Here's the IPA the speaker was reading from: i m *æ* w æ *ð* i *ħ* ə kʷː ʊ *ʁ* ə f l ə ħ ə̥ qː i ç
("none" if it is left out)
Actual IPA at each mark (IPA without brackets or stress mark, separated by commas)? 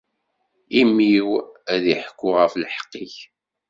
i, ð, ħ, ʁ